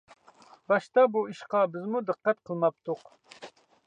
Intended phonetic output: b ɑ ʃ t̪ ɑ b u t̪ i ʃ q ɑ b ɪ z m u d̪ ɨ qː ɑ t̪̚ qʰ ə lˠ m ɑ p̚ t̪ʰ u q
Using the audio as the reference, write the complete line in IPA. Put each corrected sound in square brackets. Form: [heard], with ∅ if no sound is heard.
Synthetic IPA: b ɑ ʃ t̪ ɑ b u [∅] i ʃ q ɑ b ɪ z m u d̪ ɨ qː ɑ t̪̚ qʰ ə lˠ m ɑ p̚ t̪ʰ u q